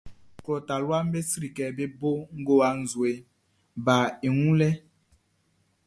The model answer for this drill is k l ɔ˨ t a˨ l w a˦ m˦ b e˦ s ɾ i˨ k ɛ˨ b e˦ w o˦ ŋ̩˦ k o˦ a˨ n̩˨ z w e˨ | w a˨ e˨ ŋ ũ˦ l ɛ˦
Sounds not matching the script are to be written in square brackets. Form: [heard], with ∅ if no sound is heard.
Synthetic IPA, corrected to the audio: k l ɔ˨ t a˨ l w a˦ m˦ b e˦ s ɾ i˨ k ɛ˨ b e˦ [b] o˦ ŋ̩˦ [ɡ] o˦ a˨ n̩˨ z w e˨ | [b] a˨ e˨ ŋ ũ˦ l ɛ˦